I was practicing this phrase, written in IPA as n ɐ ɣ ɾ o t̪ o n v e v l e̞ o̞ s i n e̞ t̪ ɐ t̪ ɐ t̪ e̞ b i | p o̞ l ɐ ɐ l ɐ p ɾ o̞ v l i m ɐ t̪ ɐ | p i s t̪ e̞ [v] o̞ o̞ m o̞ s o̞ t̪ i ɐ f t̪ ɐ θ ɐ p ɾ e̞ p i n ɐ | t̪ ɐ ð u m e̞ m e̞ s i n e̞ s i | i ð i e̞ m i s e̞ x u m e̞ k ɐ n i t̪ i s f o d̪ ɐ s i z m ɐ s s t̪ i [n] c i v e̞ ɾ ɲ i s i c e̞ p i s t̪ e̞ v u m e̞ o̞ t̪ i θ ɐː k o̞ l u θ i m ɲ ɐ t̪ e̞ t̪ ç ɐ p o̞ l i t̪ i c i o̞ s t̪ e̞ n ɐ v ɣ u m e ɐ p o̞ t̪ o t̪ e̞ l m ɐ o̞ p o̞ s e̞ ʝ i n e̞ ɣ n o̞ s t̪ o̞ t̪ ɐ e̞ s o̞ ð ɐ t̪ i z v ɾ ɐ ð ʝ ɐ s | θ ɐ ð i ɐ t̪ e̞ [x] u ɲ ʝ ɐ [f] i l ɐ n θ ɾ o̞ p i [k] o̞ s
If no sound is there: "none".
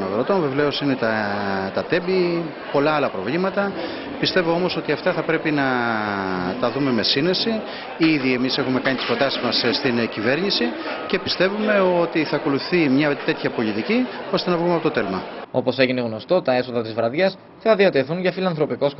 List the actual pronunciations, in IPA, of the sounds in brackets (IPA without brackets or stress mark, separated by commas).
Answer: v, n, θ, f, k